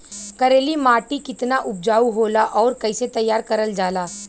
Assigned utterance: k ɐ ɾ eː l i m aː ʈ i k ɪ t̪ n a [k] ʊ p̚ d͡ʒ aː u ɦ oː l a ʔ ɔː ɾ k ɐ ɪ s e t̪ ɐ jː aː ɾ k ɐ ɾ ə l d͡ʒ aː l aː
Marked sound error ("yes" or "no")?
yes